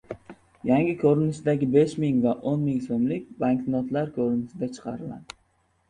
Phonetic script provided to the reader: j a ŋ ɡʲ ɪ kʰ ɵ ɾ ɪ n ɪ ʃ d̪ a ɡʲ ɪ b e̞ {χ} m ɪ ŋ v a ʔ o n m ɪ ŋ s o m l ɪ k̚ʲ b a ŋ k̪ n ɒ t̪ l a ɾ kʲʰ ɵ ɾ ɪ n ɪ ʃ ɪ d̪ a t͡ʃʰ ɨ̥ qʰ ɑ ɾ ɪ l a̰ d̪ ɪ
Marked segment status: incorrect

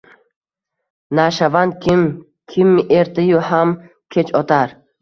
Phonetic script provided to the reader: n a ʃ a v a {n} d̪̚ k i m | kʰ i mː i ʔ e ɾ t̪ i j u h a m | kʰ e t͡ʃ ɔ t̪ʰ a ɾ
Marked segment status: correct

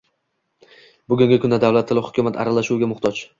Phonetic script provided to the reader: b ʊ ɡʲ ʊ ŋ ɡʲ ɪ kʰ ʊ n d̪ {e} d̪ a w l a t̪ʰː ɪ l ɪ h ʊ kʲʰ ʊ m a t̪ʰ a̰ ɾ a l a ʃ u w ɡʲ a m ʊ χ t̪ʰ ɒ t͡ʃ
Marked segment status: incorrect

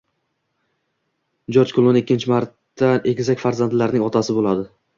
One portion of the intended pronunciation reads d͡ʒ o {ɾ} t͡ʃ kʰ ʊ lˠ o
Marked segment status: correct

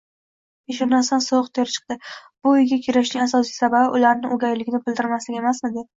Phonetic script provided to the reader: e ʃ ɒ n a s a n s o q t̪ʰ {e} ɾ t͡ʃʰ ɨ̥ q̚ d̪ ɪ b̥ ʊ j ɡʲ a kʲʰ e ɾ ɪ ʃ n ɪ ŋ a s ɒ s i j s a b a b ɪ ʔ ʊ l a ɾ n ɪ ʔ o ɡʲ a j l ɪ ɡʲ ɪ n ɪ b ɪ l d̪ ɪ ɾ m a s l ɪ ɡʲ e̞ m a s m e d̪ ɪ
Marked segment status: correct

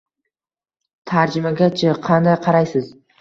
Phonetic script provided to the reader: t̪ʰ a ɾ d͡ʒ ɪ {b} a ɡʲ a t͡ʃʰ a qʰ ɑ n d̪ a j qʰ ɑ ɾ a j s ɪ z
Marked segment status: incorrect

